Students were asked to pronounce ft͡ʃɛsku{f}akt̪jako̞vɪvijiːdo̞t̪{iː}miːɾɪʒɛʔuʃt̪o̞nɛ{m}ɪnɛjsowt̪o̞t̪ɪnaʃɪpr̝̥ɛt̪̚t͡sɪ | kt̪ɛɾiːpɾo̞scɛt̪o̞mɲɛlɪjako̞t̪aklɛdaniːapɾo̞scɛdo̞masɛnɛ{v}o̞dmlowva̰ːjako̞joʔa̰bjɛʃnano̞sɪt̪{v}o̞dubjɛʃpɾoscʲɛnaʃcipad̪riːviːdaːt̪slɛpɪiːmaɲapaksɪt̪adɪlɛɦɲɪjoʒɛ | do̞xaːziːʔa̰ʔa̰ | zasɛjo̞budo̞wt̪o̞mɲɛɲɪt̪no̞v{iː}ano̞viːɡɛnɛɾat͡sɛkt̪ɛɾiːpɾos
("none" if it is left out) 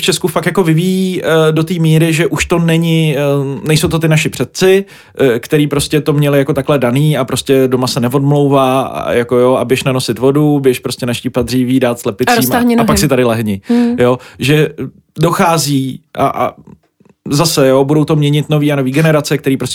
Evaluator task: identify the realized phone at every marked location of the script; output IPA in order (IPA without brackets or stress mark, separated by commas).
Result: f, iː, ɲ, v, v, iː